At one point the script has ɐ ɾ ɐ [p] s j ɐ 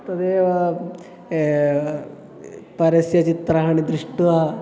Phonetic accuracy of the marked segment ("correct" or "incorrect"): incorrect